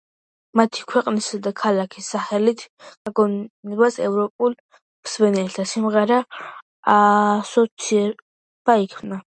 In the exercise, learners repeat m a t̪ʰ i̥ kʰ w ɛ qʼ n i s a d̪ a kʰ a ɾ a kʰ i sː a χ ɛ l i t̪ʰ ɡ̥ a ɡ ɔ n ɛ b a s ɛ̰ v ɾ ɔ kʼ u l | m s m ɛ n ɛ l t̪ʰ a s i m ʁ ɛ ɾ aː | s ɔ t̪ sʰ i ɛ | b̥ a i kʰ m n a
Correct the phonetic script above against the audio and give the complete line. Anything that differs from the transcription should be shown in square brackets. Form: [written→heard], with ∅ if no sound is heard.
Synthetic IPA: m a t̪ʰ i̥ kʰ w ɛ qʼ n i s a d̪ a kʰ a [ɾ→l] a kʰ i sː a χ ɛ l i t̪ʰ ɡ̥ a ɡ ɔ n ɛ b a s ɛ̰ v ɾ ɔ [kʼ→pʼ] u l | m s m ɛ n ɛ l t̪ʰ a s i m ʁ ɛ ɾ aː | s ɔ t̪ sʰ i ɛ | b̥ a i kʰ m n a

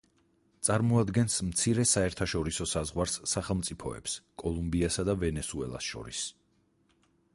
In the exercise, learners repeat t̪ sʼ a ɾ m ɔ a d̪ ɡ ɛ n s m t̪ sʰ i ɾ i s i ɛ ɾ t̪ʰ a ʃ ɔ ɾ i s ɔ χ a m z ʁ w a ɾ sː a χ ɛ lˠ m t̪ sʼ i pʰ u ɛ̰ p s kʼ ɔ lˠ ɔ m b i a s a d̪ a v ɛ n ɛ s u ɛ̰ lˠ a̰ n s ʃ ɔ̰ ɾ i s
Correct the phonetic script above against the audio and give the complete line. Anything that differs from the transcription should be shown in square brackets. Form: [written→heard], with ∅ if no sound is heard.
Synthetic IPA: t̪ sʼ a ɾ m ɔ a d̪ ɡ ɛ n s m t̪ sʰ i ɾ [i→ɛ] s [i→a] ɛ ɾ t̪ʰ a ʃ ɔ ɾ i s ɔ [χ→s] a [m→∅] z ʁ w a ɾ sː a χ ɛ lˠ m t̪ sʼ i pʰ [u→ɔ] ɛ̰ p s kʼ ɔ lˠ [ɔ→u] m b i a s a d̪ a v ɛ n ɛ s u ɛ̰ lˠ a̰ [n→∅] s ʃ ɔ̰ ɾ i s

